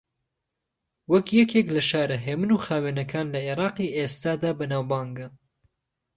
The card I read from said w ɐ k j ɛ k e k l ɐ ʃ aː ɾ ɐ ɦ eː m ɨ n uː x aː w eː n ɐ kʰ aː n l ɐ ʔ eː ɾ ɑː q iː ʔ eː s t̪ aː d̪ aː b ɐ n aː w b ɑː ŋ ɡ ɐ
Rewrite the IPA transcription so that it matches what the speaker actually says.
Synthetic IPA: w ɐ k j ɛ k e k l ɐ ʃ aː ɾ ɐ ɦ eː m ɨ n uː x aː w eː n ɐ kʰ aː n l ɐ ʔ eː ɾ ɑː q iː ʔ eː s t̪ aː d̪ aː b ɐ n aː w b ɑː ŋ ɡ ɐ